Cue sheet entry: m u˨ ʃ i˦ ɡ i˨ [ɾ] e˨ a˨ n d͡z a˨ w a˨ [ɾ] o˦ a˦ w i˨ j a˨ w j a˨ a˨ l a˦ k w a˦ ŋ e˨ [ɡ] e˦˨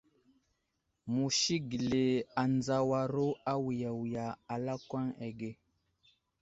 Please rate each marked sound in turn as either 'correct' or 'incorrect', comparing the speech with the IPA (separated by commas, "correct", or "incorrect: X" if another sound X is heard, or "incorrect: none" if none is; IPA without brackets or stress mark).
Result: incorrect: l, correct, correct